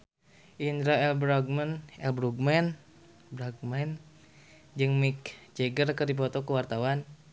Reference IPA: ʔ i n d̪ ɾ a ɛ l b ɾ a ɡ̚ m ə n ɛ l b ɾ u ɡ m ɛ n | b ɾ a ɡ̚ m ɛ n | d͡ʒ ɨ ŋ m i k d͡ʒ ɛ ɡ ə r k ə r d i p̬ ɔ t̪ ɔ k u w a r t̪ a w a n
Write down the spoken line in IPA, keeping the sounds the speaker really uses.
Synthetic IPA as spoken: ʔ i n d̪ ɾ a ɛ l b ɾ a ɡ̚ m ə n ɛ l b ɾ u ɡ m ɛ n | b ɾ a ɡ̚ m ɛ n | d͡ʒ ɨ ŋ m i k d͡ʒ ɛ ɡ ə r k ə r d i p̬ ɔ t̪ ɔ k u w a r t̪ a w a n